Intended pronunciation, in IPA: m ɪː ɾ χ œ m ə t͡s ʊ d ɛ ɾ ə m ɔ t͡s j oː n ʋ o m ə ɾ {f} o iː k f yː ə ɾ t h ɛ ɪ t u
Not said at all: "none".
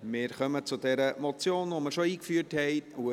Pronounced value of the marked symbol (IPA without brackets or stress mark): ʃ